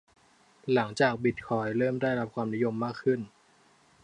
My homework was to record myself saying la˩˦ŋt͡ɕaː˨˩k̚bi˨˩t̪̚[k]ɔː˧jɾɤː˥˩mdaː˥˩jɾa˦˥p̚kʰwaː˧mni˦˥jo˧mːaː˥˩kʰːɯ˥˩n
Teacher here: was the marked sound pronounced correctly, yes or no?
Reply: no